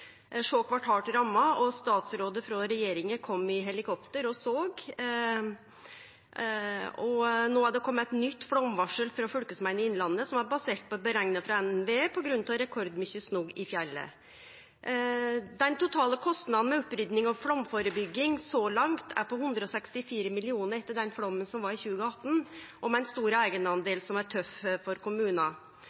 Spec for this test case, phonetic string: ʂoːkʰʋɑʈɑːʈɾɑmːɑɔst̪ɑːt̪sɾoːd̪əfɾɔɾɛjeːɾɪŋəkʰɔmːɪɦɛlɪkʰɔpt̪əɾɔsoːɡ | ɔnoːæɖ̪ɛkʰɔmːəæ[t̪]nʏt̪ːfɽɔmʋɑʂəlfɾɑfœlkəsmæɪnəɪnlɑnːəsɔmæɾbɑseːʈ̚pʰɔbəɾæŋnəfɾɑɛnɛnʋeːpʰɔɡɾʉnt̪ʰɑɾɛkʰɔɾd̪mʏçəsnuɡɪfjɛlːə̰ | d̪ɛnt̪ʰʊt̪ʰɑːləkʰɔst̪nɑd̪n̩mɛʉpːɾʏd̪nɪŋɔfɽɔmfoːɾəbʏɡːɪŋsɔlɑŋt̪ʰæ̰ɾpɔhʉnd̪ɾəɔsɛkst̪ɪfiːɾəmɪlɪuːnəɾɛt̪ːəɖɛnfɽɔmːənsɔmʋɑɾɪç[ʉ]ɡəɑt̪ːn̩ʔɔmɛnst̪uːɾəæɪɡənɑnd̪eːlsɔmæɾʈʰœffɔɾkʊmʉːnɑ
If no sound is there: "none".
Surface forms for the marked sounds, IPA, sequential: t̪, ʉː

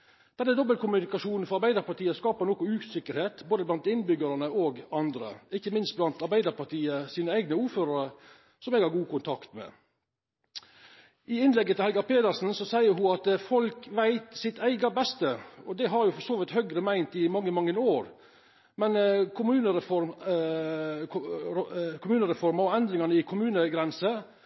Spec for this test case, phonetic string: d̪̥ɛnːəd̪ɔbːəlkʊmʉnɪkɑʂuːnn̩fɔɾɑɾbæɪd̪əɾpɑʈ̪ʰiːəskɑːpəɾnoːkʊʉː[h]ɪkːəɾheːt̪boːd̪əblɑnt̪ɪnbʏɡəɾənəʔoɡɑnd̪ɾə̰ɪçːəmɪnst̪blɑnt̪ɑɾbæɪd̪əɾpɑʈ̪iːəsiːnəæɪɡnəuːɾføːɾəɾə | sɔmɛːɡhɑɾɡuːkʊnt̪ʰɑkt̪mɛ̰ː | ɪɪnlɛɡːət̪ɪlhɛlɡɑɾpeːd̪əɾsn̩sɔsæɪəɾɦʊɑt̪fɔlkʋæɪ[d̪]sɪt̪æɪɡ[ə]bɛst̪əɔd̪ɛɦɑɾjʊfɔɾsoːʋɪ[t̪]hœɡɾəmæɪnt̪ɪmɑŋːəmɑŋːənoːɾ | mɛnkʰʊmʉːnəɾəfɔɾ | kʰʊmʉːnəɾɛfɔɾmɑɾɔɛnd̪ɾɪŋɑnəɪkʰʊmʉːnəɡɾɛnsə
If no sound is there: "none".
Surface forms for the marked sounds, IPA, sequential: s, t̪, ɑ, t̪

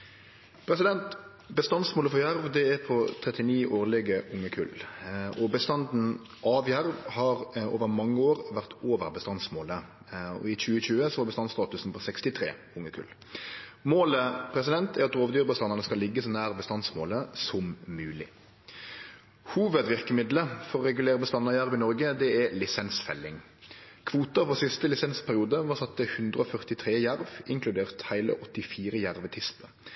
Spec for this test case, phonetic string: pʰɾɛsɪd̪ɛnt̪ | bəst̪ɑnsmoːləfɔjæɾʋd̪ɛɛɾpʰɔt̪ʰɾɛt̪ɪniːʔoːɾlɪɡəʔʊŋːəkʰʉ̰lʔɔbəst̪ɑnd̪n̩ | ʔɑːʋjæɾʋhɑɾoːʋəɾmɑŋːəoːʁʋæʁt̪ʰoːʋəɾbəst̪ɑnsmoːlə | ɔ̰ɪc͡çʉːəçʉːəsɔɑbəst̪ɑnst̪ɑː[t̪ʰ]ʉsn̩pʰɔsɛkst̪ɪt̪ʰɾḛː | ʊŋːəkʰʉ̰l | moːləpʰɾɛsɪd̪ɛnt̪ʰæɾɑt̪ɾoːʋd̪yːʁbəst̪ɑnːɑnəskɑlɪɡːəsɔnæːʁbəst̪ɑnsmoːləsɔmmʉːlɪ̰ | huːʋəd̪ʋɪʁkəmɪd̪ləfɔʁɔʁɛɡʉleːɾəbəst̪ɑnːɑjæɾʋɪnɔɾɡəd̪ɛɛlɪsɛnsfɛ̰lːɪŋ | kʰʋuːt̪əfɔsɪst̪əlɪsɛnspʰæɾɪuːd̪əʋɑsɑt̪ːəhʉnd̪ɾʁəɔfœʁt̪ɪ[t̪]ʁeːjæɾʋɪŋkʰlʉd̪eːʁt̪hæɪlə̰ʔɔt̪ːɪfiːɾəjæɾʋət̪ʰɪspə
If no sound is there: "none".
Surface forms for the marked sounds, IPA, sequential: t̪, t̪ʰ

